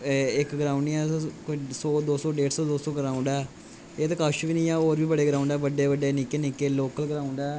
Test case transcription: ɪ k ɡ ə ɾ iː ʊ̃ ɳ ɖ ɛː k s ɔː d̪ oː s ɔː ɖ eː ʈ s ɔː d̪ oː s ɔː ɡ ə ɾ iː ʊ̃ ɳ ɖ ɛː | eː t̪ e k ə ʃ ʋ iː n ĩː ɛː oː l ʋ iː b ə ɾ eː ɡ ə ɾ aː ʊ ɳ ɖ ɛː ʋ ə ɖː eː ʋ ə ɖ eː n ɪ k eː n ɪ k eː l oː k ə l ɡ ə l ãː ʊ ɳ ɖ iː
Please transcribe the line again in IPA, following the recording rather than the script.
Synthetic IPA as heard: ɪ k ɡ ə ɾ aː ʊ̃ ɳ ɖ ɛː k s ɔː d̪ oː s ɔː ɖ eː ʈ s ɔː d̪ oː s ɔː ɡ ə ɾ aː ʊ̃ ɳ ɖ ɛː | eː t̪ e k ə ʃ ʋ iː n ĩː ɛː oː ɾ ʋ iː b ə ɽ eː ɡ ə ɾ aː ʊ ɳ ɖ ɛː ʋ ə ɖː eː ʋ ə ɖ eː n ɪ k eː n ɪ k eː l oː k ə l ɡ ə ɾ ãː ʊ ɳ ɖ ɛː